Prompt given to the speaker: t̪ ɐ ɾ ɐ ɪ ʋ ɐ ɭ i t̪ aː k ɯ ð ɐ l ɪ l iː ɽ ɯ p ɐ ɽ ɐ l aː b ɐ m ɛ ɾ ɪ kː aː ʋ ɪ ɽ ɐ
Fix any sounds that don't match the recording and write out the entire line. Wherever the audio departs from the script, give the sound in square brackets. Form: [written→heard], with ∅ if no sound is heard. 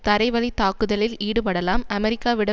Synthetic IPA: t̪ ɐ ɾ ɐ ɪ ʋ ɐ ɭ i t̪ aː k ɯ ð ɐ l ɪ l iː ɽ ɯ p ɐ ɽ ɐ l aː [b→m] ɐ m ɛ ɾ ɪ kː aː ʋ ɪ ɽ ɐ